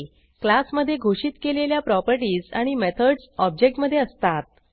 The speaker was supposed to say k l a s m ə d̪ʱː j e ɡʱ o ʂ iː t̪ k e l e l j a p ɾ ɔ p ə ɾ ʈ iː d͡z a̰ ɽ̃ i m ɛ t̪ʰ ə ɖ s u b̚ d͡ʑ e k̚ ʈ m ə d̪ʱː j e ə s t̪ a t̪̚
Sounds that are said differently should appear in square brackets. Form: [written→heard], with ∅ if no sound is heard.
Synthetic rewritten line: k l a s m ə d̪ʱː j e ɡʱ o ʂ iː t̪ k e l e l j a p ɾ ɔ p ə ɾ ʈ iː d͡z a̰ ɽ̃ i m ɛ t̪ʰ ə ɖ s [u→ɔ] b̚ d͡ʑ e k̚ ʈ m ə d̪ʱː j e ə s t̪ a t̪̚